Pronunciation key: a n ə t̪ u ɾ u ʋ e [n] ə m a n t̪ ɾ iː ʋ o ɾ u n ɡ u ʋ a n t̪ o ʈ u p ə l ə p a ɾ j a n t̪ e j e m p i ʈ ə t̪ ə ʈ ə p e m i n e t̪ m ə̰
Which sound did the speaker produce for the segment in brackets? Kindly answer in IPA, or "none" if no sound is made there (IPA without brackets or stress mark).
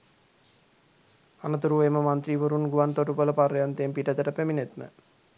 m